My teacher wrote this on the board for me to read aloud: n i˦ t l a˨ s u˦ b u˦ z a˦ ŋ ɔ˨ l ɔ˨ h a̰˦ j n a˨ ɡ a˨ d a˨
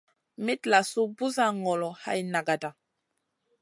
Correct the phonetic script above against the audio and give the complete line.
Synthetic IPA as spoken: m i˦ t l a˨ s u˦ b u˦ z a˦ ŋ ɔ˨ l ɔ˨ h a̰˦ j n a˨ ɡ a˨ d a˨